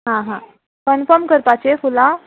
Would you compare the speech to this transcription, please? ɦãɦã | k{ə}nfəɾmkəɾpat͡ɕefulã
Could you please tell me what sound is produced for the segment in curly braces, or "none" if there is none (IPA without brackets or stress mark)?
ə